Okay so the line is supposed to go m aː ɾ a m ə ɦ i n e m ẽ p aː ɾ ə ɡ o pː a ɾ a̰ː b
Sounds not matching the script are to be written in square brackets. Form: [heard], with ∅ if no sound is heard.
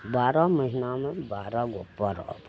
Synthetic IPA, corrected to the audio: [b] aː ɾ a m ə ɦ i n [a] m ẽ [b] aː ɾ [a] ɡ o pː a ɾ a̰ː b